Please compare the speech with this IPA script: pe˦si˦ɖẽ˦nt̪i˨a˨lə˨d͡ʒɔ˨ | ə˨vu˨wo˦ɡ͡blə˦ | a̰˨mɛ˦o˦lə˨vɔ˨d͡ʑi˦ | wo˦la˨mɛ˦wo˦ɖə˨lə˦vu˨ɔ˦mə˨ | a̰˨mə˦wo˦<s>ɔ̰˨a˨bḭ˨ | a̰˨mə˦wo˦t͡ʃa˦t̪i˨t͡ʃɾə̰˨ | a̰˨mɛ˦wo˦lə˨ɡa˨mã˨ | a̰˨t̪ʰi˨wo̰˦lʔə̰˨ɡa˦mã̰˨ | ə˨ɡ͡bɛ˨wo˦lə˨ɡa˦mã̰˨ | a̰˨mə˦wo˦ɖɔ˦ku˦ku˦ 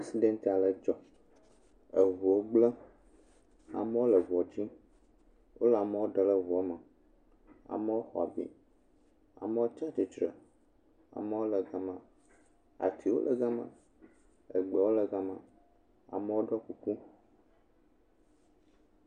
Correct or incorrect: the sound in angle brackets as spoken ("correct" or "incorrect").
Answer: incorrect